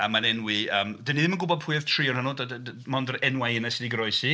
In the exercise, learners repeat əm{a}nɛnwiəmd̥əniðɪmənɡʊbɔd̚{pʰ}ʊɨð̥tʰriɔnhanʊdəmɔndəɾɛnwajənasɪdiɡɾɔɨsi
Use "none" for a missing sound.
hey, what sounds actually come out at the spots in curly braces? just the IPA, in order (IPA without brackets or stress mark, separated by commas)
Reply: a, pʰ